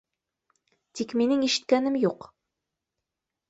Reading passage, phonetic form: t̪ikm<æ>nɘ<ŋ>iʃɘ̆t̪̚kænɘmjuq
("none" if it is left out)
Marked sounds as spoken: i, ŋ

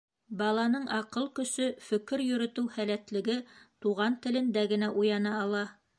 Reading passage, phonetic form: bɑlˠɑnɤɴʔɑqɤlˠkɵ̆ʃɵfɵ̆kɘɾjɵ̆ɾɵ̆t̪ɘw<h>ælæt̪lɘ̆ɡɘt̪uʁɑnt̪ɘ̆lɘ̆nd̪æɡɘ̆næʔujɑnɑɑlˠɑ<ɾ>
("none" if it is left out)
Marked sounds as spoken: h, none

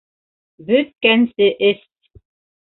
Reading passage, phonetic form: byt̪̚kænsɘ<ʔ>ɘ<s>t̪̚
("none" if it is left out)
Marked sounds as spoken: ʔ, s

